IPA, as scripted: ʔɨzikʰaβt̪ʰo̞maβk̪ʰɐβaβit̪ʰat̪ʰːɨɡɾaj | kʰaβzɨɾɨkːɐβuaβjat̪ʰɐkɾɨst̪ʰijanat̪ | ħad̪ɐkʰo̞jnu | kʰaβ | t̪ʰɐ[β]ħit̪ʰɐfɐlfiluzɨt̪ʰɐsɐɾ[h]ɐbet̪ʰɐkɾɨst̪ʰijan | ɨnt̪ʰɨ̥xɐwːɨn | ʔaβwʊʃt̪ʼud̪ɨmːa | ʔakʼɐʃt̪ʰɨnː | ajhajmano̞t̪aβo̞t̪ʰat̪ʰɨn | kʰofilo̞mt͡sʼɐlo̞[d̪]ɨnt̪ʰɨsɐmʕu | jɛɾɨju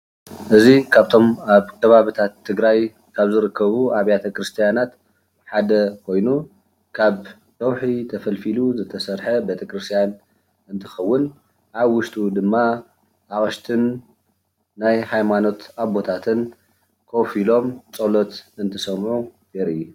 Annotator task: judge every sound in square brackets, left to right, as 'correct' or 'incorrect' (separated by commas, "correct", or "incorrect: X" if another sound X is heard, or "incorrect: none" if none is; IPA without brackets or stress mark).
incorrect: w, incorrect: ħ, incorrect: t̪